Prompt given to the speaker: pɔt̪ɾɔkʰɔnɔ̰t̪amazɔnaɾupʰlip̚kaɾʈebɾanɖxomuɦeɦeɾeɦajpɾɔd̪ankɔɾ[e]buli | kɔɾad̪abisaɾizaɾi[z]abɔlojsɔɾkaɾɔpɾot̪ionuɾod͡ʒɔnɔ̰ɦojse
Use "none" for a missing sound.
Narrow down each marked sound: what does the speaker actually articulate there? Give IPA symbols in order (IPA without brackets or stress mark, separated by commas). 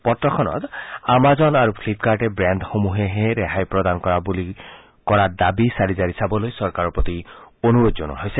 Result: a, s